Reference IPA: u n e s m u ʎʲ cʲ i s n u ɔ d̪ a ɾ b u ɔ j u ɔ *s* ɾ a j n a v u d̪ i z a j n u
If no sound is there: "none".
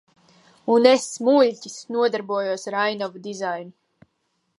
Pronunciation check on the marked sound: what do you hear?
s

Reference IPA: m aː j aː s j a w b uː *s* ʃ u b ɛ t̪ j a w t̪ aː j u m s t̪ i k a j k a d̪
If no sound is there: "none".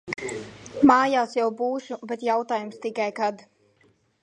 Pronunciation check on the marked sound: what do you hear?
none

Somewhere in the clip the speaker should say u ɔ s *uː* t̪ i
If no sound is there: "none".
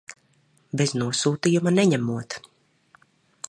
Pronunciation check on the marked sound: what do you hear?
uː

